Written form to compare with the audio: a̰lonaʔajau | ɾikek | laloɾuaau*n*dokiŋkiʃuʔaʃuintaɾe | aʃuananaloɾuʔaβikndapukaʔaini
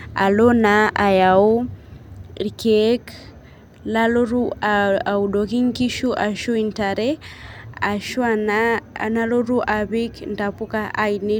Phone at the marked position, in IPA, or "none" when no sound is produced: none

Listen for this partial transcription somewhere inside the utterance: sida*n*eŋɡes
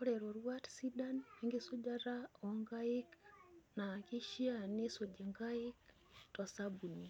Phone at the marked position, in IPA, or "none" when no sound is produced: n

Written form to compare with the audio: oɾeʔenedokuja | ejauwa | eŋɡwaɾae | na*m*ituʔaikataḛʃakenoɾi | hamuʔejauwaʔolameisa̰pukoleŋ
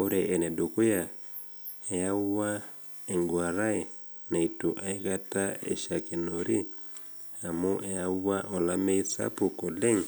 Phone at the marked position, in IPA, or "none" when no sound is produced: none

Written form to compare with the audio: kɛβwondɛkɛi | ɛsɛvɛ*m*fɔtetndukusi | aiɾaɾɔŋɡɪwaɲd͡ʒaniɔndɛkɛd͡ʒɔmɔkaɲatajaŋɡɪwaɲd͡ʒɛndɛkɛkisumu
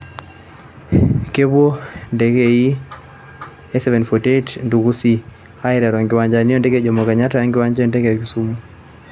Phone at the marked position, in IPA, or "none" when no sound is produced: n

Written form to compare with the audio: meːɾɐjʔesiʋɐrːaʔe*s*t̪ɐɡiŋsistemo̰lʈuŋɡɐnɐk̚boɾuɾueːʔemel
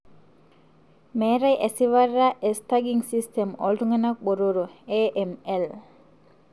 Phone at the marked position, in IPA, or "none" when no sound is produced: s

